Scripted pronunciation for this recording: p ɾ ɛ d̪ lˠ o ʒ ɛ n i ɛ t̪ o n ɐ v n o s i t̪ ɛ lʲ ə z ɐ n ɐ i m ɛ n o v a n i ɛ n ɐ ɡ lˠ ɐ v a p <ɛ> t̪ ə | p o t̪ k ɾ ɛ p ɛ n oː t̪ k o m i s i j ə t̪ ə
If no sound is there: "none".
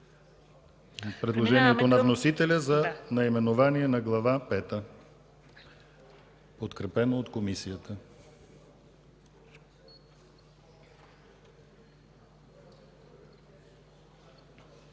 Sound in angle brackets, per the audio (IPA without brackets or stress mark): ɛ